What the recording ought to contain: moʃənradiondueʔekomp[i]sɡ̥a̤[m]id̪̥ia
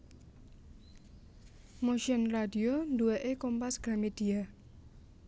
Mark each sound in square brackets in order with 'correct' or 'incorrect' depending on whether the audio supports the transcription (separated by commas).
incorrect, correct